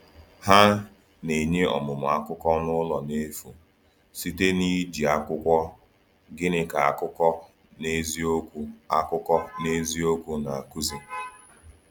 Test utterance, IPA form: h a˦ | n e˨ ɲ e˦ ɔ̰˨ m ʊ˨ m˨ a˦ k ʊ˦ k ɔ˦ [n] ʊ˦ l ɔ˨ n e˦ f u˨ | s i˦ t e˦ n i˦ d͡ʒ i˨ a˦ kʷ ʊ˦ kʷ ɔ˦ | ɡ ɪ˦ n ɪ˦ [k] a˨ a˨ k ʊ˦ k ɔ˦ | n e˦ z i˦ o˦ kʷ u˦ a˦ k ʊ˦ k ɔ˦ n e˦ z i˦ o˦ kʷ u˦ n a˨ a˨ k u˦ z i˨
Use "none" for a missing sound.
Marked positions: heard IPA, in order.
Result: n, k

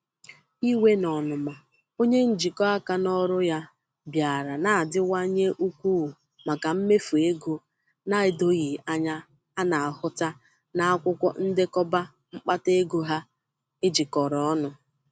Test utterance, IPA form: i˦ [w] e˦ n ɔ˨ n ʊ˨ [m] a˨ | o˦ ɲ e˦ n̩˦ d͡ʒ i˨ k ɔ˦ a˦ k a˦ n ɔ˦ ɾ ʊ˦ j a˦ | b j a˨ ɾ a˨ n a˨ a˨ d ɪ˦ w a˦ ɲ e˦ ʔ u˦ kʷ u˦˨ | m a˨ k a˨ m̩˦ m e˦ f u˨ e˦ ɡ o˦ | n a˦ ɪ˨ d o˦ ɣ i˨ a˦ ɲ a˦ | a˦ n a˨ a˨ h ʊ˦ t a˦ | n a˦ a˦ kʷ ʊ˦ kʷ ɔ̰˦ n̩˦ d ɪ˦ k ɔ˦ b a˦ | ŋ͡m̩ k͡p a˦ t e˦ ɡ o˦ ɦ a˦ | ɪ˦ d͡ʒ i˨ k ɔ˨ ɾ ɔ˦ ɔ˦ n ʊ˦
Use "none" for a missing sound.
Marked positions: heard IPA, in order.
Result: w, m

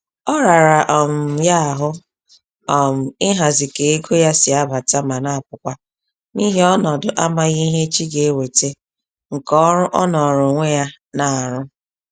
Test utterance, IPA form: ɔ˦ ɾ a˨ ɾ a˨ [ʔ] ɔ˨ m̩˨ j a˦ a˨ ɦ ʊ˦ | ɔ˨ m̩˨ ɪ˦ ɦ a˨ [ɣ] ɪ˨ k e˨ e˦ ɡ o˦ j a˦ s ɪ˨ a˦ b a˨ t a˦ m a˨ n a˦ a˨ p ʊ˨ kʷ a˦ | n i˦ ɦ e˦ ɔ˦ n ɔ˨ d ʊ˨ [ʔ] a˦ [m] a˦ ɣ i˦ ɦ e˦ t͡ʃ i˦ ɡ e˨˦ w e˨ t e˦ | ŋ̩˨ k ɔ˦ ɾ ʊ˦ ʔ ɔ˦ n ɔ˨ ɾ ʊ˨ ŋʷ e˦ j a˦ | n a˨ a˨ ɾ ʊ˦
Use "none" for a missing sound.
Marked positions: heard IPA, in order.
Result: ʔ, z, ʔ, m

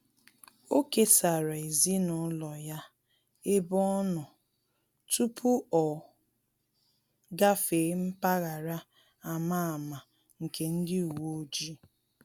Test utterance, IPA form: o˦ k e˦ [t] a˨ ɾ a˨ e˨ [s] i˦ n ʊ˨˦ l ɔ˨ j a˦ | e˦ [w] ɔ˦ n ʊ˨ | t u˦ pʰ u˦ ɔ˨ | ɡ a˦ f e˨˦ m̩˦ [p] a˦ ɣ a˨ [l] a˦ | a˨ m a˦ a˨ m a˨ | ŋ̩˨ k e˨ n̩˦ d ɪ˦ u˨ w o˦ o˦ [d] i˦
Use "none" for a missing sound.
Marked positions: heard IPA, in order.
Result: s, z, b, p, ɾ, d͡ʒ

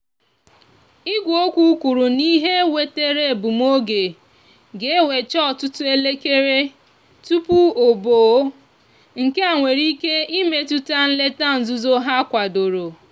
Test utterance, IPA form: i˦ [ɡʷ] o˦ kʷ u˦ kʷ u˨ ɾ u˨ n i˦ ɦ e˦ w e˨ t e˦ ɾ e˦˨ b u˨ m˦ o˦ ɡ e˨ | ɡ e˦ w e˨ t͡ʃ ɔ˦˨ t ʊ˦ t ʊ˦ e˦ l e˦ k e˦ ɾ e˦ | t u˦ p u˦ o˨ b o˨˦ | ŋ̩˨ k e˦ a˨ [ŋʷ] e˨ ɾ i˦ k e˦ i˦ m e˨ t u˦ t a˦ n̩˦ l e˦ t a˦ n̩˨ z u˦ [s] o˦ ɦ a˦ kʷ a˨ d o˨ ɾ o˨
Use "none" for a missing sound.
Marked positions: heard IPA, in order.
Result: ɡʷ, ŋʷ, z

